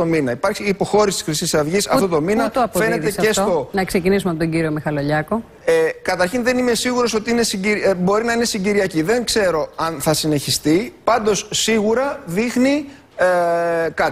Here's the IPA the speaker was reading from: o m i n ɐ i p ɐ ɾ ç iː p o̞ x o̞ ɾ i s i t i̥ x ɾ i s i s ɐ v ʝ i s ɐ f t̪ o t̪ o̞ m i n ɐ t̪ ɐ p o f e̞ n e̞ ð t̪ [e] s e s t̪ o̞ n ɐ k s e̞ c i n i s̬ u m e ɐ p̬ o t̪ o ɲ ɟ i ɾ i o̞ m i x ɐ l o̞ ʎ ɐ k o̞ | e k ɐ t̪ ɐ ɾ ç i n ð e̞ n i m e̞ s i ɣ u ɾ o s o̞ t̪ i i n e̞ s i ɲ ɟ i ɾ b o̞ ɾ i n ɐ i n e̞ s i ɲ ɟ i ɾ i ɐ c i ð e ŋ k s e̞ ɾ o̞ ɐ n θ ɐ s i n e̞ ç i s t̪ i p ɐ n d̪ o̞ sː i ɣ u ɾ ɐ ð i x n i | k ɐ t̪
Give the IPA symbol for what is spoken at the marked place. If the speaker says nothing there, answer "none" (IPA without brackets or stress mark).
e